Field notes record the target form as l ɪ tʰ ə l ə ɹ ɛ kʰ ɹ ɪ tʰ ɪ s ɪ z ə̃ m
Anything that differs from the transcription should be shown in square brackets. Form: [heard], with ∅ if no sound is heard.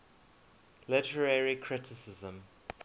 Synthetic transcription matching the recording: l ɪ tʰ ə [ɹ] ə ɹ [i] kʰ ɹ ɪ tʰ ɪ s ɪ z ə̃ m